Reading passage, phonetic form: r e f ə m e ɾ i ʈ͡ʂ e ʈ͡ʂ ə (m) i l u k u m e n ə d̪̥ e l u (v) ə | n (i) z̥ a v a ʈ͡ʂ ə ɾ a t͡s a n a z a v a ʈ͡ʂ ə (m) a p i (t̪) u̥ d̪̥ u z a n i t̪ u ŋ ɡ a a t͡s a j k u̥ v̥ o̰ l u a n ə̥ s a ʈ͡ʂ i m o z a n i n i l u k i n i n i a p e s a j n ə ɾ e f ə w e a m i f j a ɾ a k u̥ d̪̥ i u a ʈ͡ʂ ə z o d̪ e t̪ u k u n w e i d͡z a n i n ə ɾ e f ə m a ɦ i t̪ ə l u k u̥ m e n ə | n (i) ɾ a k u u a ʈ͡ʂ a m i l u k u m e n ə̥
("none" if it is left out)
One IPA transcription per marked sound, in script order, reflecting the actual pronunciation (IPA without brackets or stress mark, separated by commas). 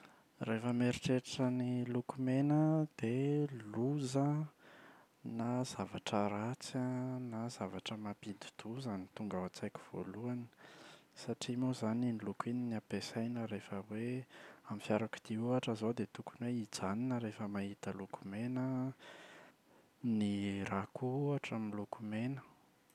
n, z, a, m, d̪, i